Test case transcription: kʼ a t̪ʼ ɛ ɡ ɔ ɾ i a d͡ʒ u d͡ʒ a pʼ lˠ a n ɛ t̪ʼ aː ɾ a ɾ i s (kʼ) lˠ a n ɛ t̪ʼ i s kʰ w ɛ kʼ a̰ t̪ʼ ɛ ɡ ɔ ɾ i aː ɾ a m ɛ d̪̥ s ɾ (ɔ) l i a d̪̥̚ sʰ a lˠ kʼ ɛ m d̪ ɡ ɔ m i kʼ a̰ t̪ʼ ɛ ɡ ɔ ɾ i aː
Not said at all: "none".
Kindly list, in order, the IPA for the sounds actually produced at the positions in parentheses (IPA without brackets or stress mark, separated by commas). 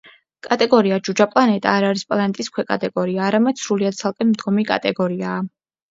pʼ, u